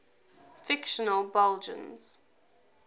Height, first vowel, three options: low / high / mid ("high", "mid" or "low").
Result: high